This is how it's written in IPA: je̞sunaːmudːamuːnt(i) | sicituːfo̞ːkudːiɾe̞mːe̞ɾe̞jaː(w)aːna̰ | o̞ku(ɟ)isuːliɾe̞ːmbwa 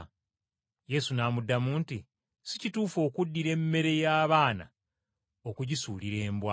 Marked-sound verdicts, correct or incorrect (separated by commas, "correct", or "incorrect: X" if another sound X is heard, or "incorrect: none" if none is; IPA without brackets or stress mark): correct, incorrect: β, correct